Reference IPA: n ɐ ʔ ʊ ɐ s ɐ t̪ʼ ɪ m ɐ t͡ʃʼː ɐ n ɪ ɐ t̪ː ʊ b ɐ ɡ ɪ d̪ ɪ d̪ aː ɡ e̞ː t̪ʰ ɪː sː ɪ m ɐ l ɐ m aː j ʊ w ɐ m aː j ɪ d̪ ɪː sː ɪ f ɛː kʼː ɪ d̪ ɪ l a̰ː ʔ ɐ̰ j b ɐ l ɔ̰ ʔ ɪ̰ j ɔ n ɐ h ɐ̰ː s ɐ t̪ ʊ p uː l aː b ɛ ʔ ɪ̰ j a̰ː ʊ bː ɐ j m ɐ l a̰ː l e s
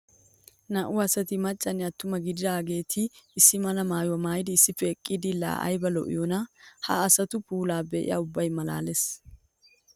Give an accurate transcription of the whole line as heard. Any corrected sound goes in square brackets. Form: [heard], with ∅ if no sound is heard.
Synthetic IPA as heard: n ɐ ʔ ʊ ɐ s ɐ [t̪] ɪ m ɐ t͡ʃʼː ɐ n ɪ ɐ t̪ː ʊ [m] ɐ ɡ ɪ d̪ ɪ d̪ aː ɡ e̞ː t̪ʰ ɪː sː ɪ m ɐ l ɐ m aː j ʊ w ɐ m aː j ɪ d̪ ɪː sː ɪ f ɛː kʼː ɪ d̪ ɪ l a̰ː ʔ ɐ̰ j b ɐ l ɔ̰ ʔ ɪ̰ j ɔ n ɐ h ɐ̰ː s ɐ t̪ ʊ p uː l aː b ɛ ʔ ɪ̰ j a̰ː ʊ bː ɐ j m ɐ l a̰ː l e s